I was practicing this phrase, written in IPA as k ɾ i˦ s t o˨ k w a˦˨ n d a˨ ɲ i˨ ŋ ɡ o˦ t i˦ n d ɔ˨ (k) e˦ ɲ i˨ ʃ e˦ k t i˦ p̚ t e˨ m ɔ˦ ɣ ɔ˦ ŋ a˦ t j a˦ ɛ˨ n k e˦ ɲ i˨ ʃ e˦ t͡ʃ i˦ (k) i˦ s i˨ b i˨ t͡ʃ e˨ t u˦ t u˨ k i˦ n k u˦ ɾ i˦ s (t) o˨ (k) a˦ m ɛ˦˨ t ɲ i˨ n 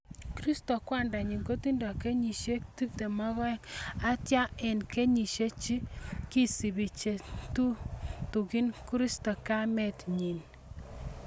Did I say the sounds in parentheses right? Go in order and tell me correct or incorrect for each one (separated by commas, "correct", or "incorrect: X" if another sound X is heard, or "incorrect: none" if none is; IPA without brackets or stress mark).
correct, correct, correct, correct